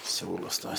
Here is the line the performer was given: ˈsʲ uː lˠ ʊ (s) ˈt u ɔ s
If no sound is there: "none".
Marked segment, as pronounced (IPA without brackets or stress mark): s